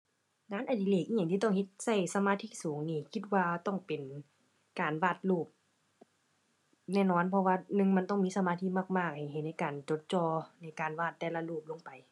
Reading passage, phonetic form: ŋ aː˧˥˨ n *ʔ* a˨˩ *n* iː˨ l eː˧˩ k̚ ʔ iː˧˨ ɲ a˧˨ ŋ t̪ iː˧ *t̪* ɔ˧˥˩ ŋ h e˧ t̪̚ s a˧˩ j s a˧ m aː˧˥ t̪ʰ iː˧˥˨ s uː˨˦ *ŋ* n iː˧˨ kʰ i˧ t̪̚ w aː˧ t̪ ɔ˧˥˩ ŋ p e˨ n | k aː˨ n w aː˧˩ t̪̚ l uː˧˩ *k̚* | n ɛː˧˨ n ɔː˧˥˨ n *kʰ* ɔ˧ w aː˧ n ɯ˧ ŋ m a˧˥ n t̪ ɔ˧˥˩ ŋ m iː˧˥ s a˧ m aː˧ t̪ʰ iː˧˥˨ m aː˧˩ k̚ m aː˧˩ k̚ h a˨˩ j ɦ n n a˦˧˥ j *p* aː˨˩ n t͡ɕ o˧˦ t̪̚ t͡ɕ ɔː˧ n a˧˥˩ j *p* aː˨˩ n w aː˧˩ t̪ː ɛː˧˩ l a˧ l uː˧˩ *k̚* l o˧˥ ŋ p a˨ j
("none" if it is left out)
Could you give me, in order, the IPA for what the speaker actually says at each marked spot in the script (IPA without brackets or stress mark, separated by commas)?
ʔ, d, t̪, ŋ, p̚, pʰ, k, k, p̚